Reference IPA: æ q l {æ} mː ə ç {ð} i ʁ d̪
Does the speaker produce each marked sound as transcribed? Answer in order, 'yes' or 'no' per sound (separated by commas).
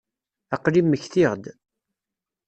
no, no